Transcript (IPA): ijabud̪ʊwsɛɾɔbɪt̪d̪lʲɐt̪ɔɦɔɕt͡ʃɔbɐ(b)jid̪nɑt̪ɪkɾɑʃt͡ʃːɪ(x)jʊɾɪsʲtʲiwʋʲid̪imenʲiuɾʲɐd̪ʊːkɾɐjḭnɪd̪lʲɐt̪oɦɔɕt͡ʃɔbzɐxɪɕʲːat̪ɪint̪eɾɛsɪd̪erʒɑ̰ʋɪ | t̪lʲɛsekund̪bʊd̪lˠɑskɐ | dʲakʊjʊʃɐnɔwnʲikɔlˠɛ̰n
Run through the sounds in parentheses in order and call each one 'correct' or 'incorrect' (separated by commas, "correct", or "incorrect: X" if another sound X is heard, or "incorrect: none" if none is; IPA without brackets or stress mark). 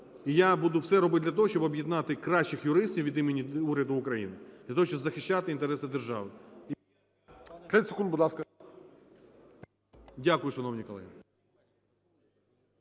correct, correct